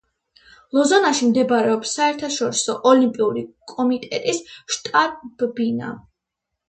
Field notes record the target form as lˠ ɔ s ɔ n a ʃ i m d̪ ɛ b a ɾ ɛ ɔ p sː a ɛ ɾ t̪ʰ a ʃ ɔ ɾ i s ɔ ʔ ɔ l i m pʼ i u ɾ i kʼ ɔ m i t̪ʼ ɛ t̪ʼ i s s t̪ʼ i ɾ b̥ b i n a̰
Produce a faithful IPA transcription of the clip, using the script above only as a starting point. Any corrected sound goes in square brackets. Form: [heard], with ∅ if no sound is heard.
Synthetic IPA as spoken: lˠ ɔ [z] ɔ n a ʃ i m d̪ ɛ b a ɾ ɛ ɔ p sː a ɛ ɾ t̪ʰ a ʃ ɔ ɾ i s ɔ ʔ ɔ l i m pʼ i u ɾ i kʼ ɔ m i t̪ʼ ɛ t̪ʼ i s [ʃ] t̪ʼ [a] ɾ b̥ b i n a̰